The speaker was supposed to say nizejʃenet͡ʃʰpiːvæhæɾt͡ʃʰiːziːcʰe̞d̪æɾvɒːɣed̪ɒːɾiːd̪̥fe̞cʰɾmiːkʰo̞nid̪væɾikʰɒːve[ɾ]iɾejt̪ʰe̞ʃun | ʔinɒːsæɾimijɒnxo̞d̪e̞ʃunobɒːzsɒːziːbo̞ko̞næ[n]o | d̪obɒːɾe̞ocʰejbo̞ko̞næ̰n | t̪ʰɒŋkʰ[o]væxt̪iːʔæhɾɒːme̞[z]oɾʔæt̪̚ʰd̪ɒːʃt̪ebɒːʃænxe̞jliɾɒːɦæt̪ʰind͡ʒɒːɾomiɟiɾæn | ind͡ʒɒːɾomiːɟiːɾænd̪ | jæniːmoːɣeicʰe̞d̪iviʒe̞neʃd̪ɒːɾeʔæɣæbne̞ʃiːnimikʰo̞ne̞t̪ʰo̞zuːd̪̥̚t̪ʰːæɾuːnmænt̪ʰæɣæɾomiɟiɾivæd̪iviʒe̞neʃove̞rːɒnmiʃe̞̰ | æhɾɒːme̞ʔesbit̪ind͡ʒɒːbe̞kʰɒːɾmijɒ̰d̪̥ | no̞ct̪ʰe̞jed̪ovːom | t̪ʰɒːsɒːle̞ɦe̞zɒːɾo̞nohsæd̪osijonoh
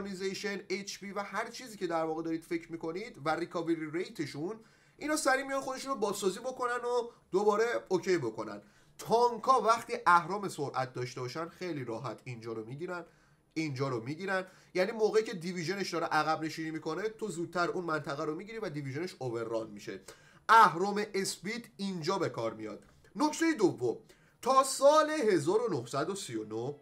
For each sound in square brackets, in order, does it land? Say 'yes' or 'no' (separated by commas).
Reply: yes, yes, no, no